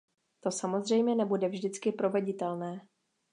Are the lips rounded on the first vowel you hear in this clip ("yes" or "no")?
yes